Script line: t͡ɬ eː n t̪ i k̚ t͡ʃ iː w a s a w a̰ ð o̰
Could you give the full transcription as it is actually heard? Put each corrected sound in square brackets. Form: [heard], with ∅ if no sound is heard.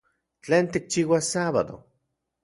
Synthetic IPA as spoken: t͡ɬ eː n t̪ i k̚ t͡ʃ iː w a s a [β] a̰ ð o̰